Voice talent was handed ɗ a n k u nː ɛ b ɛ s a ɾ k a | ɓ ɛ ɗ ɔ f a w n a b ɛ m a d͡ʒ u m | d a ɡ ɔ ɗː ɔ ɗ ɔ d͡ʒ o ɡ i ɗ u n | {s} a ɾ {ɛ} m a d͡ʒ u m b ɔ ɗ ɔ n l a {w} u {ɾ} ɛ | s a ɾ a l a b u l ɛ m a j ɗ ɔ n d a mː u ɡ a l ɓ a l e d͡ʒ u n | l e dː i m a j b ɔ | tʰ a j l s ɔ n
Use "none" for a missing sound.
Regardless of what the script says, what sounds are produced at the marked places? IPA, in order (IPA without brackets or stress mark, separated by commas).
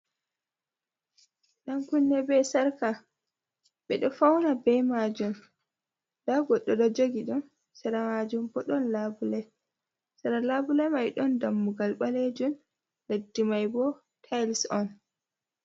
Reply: s, a, b, l